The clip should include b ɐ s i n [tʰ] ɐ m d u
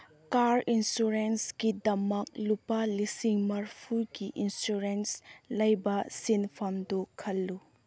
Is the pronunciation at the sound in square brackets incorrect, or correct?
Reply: incorrect